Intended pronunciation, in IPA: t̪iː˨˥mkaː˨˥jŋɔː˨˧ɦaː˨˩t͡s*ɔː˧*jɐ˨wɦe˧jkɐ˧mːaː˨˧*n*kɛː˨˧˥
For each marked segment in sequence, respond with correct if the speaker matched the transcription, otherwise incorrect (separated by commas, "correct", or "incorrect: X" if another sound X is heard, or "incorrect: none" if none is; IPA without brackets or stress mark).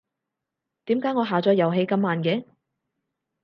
incorrect: ɔː˨˥, correct